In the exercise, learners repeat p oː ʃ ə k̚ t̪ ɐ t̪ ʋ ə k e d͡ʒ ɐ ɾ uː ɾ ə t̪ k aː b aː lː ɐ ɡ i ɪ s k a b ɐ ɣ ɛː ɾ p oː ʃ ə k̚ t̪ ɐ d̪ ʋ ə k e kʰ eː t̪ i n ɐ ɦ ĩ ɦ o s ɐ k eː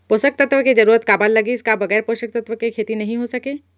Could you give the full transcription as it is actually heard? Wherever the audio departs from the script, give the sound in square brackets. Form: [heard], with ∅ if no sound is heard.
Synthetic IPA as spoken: p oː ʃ ə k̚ t̪ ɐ t̪ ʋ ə k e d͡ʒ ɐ ɾ uː ɾ ə t̪ k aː b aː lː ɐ ɡ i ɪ s k a b ɐ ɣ ɛː ɾ p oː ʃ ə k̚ t̪ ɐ [t̪] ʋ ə k e kʰ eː t̪ i n ɐ ɦ ĩ ɦ o s ɐ k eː